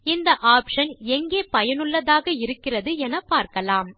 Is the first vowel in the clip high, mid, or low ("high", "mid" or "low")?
high